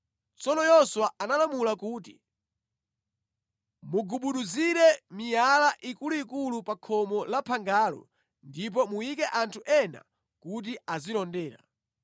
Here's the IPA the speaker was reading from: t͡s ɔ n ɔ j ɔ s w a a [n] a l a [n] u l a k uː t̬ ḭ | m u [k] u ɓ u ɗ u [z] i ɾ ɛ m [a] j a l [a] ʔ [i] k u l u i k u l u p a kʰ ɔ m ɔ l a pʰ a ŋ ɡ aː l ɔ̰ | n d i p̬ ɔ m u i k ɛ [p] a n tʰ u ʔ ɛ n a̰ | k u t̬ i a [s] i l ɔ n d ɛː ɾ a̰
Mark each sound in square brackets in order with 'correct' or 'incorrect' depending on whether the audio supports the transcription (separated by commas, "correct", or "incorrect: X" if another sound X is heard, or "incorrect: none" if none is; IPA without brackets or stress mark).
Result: correct, incorrect: m, incorrect: ɡ, correct, incorrect: i, correct, correct, incorrect: ʔ, incorrect: z